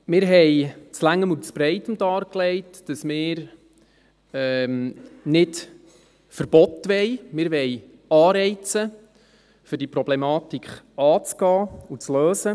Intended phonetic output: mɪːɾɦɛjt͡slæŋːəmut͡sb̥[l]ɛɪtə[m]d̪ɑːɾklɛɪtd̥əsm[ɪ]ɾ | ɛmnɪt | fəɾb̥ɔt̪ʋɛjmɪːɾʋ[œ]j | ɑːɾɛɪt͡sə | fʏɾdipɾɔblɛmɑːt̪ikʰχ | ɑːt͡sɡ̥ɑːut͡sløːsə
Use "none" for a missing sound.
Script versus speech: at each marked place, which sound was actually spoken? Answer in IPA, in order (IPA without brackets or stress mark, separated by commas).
ɾ, m, ɪː, ɛ